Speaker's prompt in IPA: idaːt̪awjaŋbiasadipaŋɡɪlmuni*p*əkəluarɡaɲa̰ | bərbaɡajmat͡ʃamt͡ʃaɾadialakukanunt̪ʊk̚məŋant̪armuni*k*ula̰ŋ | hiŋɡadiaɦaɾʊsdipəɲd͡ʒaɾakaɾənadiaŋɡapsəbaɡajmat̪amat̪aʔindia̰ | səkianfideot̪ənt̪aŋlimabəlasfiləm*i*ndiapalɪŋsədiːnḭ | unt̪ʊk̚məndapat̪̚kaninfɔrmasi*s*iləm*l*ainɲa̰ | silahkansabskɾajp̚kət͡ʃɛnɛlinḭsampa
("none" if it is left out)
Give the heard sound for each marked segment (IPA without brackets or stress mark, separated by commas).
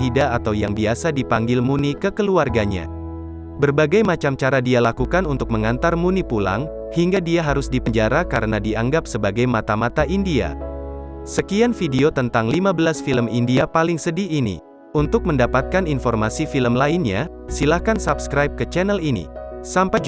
k, p, i, f, l